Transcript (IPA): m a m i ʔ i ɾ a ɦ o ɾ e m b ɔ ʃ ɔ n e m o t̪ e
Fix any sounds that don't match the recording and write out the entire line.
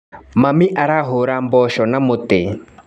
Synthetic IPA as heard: m a m i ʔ a ɾ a ɦ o ɾ a m b ɔ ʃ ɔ n a m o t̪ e